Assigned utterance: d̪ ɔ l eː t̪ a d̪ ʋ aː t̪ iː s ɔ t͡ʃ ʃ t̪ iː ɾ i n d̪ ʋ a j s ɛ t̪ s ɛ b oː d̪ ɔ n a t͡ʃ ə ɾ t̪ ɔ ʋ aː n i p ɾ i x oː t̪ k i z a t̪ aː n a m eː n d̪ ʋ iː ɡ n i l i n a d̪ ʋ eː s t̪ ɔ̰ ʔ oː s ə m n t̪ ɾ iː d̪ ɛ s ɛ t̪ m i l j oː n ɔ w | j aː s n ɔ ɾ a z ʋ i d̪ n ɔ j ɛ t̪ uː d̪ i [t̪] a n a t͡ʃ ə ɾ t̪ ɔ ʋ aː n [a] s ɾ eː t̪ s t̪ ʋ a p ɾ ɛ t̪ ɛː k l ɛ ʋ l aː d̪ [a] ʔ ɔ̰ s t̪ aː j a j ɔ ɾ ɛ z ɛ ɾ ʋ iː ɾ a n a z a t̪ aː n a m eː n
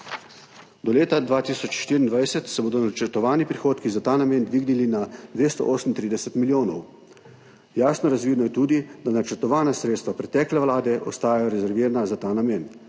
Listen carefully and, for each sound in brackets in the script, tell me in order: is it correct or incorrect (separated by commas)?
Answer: incorrect, correct, incorrect